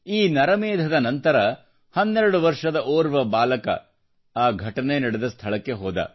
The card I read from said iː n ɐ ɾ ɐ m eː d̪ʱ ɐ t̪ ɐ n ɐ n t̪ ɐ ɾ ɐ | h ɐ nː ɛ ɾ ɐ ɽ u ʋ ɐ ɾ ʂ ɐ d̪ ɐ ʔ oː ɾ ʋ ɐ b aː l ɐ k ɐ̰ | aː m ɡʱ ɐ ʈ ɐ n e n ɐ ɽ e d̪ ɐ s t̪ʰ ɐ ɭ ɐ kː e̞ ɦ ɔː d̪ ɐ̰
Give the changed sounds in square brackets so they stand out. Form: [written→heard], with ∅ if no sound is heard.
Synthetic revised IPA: iː n ɐ ɾ ɐ m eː d̪ʱ ɐ [t̪→d̪] ɐ n ɐ n t̪ ɐ ɾ ɐ | h ɐ nː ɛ ɾ ɐ ɽ u ʋ ɐ ɾ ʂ ɐ d̪ ɐ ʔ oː ɾ ʋ ɐ b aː l ɐ k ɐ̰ | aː [m→∅] ɡʱ ɐ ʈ ɐ n e n ɐ ɽ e d̪ ɐ s t̪ʰ ɐ ɭ ɐ kː e̞ ɦ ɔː d̪ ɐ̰